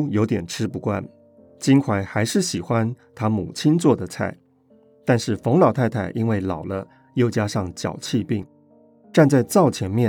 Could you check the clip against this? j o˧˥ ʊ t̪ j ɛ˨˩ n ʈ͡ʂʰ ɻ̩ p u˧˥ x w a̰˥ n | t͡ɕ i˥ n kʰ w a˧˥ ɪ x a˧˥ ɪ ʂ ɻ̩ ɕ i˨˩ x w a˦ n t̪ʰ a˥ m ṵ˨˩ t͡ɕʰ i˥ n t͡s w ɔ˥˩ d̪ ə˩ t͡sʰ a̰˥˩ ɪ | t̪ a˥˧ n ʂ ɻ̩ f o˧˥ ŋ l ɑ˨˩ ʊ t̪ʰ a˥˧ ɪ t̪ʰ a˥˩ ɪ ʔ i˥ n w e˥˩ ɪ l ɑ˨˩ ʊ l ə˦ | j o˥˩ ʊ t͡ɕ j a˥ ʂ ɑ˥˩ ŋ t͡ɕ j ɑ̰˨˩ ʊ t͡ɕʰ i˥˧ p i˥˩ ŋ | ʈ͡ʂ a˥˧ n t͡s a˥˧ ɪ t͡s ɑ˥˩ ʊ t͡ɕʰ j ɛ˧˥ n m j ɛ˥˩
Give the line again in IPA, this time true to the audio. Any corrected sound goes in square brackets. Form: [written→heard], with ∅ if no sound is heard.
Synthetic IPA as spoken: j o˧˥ ʊ t̪ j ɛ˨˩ n ʈ͡ʂʰ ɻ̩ p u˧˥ [x→k] w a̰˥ n | t͡ɕ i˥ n kʰ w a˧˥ ɪ x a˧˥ ɪ ʂ ɻ̩ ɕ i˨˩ x w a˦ n t̪ʰ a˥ m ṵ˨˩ t͡ɕʰ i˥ n t͡s w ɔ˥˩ d̪ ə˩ t͡sʰ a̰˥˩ ɪ | t̪ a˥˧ n ʂ ɻ̩ f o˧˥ ŋ l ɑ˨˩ ʊ t̪ʰ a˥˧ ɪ t̪ʰ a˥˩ ɪ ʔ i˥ n w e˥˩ ɪ l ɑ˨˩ ʊ l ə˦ | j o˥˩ ʊ t͡ɕ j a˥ ʂ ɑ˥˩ ŋ t͡ɕ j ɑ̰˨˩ ʊ t͡ɕʰ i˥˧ p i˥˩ ŋ | ʈ͡ʂ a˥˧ n t͡s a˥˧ ɪ t͡s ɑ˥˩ ʊ t͡ɕʰ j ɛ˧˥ n m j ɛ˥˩